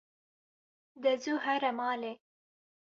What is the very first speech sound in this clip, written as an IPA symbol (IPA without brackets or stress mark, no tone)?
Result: d̪